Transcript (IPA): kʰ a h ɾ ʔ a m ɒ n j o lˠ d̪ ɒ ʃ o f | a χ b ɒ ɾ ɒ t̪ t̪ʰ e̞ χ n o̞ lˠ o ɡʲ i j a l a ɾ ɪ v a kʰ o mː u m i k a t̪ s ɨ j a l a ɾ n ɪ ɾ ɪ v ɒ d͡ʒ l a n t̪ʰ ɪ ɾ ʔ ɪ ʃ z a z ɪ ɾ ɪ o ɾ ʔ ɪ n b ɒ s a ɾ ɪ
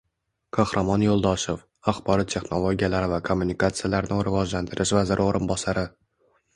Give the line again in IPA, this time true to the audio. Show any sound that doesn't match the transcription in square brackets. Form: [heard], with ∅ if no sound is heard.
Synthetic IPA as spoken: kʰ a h ɾ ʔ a m ɒ n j o lˠ d̪ ɒ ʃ o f | a χ b ɒ ɾ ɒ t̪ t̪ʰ e̞ χ n o̞ lˠ o ɡʲ i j a l a ɾ ɪ v a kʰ o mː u [n] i k a t̪ s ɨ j a l a ɾ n ɪ ɾ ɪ v ɒ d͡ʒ l a n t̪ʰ ɪ ɾ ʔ ɪ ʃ [v] a z ɪ ɾ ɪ o ɾ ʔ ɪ n b ɒ s a ɾ ɪ